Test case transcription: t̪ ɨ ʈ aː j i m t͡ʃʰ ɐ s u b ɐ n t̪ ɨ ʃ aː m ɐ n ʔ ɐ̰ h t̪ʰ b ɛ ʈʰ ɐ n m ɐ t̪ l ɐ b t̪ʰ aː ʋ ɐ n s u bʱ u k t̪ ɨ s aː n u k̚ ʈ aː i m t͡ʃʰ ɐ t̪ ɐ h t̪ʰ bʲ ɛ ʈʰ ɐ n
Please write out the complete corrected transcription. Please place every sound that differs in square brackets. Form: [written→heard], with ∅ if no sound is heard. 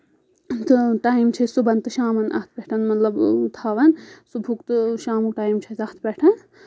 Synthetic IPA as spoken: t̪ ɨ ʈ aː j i m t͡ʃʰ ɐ s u b ɐ n t̪ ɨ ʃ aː m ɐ n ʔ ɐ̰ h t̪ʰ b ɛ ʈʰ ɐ n m ɐ t̪ l ɐ b t̪ʰ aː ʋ ɐ n s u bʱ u k t̪ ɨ [s→ʃ] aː [n→m] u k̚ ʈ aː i m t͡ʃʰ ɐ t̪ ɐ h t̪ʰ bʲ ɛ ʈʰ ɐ n